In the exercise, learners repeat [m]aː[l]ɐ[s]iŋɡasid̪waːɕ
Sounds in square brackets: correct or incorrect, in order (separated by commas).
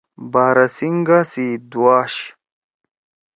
incorrect, incorrect, correct